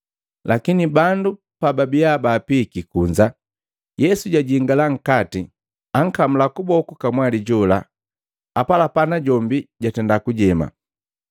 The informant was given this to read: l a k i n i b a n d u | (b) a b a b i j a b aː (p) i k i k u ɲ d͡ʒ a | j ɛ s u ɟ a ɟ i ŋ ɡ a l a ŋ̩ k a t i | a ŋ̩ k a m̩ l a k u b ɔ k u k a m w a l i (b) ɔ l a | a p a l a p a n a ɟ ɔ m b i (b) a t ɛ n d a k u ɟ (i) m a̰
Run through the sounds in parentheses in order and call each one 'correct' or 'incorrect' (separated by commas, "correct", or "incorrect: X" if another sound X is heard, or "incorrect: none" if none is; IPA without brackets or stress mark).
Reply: incorrect: p, correct, incorrect: ɟ, incorrect: ɟ, incorrect: ɛ